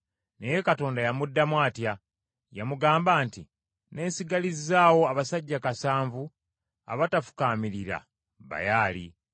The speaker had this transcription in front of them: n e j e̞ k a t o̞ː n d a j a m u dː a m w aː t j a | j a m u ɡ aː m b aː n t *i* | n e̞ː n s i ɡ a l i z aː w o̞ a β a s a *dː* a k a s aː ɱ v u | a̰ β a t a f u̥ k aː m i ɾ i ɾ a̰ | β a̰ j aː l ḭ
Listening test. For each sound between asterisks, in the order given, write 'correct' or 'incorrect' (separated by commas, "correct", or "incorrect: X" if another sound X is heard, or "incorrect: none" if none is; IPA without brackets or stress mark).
correct, incorrect: ɟː